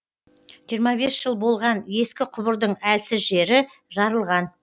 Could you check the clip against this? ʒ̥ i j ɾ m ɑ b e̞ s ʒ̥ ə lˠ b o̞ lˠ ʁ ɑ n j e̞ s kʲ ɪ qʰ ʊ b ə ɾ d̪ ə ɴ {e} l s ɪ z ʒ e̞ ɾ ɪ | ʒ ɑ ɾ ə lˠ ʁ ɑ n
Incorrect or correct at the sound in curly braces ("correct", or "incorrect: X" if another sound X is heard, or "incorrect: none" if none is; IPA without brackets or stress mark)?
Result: incorrect: æ